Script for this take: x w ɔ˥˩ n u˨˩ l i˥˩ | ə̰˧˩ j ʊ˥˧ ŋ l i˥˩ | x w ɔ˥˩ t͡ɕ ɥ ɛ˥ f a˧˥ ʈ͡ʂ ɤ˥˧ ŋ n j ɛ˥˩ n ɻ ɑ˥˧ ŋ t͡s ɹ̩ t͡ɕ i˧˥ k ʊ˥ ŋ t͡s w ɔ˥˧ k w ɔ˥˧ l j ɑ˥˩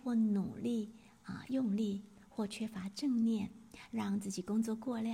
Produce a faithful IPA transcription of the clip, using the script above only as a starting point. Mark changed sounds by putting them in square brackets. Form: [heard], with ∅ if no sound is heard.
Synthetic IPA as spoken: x w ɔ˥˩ n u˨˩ l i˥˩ | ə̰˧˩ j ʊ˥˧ ŋ l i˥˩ | x w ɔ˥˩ [t͡ɕʰ] ɥ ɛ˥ f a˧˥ ʈ͡ʂ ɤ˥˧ ŋ n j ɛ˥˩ n ɻ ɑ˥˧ ŋ t͡s ɹ̩ t͡ɕ [i˨˩] k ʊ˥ ŋ t͡s w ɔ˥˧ k w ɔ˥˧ l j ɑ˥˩